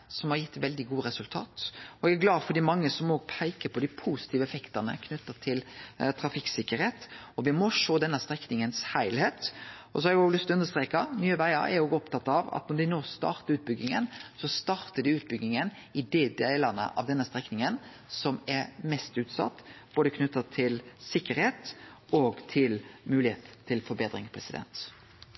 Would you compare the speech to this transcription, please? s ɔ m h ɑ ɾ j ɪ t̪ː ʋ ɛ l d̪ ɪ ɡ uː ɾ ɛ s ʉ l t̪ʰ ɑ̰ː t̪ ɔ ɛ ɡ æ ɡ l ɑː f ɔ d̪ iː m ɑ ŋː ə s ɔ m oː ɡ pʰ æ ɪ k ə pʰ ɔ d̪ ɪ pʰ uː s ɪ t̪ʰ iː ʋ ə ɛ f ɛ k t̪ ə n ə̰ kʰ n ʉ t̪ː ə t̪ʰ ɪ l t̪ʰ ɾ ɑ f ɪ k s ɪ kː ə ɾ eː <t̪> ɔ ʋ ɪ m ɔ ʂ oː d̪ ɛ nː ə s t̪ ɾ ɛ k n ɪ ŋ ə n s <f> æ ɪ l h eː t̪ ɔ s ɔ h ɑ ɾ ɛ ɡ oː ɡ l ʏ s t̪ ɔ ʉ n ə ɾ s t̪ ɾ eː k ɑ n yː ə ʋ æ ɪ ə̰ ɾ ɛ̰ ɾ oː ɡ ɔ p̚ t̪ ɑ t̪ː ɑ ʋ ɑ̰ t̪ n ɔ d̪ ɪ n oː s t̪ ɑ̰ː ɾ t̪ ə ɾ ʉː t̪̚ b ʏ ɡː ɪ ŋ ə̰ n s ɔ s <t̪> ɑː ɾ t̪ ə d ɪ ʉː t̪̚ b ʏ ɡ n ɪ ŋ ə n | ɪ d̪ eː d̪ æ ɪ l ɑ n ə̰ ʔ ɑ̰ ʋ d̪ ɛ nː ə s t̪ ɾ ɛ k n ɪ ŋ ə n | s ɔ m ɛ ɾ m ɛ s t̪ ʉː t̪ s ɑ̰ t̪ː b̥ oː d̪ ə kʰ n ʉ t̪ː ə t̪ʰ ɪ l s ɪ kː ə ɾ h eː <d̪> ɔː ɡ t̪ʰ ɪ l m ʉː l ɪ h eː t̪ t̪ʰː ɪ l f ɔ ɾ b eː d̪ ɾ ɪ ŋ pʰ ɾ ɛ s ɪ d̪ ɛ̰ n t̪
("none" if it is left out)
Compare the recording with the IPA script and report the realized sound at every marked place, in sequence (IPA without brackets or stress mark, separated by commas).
t̪, h, t̪, t̪